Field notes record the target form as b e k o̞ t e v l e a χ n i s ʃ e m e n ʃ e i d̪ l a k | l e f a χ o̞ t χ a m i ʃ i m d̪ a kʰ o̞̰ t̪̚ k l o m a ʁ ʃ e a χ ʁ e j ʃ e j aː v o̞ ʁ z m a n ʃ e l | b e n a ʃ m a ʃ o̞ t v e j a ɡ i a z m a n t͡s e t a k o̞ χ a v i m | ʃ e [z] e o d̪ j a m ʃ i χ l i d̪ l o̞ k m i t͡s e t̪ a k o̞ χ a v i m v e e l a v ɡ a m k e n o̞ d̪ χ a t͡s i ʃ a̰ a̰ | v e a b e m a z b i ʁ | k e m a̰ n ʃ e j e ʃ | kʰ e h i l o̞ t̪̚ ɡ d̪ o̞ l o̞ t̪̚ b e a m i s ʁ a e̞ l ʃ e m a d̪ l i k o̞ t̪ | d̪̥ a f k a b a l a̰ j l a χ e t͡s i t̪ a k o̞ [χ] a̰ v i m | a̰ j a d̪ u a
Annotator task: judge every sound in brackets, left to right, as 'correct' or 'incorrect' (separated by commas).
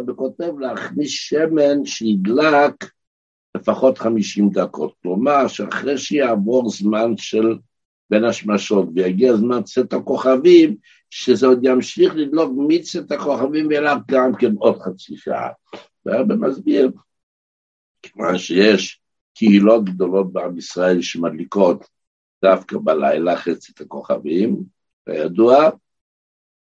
correct, correct